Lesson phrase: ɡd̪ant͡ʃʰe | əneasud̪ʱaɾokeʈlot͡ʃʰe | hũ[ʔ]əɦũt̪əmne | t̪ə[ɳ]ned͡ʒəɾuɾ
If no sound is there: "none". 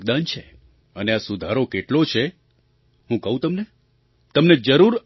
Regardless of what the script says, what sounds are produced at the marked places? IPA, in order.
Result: k, m

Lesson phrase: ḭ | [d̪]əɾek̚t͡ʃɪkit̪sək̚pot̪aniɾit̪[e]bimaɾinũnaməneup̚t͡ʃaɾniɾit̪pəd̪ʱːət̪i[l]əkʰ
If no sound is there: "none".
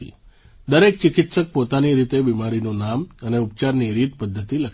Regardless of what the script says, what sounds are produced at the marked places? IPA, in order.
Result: d̪, e, l

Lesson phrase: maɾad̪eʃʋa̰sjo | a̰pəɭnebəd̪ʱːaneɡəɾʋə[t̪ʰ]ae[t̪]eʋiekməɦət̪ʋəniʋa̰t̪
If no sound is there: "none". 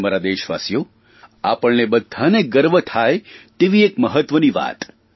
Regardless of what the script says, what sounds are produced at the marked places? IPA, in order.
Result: t̪ʰ, t̪

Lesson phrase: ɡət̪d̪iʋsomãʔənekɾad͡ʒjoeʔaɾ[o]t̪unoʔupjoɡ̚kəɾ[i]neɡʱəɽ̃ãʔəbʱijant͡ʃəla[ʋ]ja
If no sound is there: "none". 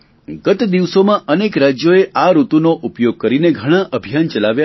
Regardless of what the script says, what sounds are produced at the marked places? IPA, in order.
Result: u, i, ʋ

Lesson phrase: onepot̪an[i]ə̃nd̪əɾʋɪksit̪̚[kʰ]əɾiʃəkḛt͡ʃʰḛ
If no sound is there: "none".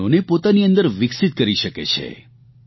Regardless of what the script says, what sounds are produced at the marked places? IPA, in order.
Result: i, k

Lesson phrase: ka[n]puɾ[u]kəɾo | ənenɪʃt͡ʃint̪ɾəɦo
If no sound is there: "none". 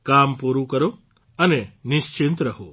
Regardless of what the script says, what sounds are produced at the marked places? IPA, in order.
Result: m, u

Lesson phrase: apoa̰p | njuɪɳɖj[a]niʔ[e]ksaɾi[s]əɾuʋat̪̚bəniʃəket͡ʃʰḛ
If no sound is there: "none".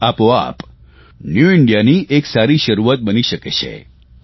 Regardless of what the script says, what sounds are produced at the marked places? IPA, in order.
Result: a, e, ʃ

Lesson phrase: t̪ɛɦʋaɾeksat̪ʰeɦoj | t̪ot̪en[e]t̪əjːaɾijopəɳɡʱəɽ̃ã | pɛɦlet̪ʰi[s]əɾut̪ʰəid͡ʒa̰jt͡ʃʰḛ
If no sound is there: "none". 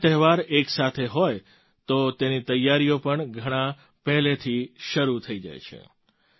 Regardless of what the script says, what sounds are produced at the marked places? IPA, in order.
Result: i, ʃ

